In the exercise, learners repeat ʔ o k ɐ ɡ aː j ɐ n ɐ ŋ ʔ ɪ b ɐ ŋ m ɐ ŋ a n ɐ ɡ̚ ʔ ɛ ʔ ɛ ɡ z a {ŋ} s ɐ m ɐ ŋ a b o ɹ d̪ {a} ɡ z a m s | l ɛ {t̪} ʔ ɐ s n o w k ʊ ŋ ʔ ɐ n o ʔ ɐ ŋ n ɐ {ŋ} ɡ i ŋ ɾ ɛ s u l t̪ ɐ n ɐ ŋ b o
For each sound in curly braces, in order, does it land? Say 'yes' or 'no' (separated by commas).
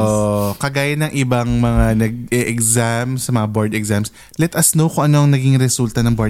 no, no, yes, no